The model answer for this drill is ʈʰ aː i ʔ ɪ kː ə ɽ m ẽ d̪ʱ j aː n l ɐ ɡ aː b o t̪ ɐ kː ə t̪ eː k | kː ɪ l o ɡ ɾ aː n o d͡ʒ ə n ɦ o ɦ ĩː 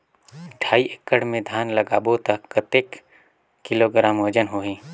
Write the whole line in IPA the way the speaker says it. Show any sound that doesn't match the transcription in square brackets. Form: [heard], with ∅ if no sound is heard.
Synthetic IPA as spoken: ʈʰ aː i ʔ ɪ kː ə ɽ m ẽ d̪ʱ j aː n l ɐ ɡ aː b o t̪ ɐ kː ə t̪ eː k | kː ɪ l o ɡ ɾ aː [m] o d͡ʒ ə n ɦ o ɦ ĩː